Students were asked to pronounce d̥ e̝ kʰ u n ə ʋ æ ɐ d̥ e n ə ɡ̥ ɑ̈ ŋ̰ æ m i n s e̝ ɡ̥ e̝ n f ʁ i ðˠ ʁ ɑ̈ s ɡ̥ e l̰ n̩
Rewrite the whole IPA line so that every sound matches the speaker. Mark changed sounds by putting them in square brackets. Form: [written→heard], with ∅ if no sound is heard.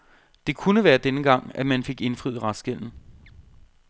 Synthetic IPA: d̥ e̝ kʰ u n ə ʋ [æ→æː] ɐ d̥ e n ə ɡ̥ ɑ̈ ŋ̰ æ m [i→æ] n [s→f] e̝ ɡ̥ e̝ n f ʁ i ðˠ ʁ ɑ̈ s ɡ̥ e l̰ n̩